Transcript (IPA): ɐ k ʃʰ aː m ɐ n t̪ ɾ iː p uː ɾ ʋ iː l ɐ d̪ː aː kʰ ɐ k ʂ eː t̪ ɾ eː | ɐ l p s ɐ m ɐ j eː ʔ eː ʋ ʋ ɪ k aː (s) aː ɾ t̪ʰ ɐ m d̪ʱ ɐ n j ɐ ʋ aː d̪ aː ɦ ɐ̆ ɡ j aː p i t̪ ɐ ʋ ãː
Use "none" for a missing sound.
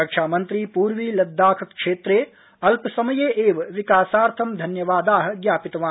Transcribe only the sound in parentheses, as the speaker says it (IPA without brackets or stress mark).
s